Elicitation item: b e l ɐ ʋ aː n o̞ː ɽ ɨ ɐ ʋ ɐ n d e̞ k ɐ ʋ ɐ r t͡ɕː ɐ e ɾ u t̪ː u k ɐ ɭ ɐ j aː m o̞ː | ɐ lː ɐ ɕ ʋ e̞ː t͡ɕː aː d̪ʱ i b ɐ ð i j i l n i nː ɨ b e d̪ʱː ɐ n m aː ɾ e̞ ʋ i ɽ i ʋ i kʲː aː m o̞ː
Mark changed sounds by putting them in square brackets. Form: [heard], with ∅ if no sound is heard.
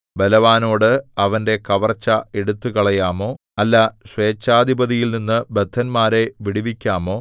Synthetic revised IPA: b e l ɐ ʋ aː n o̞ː ɽ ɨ ɐ ʋ ɐ n d e̞ k ɐ ʋ ɐ r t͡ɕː ɐ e [ɽ] u t̪ː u k ɐ ɭ ɐ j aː m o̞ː | ɐ lː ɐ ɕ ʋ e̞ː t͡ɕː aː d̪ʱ i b ɐ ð i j i l n i nː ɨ b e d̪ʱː ɐ n m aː ɾ e̞ ʋ i ɽ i ʋ i kʲː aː m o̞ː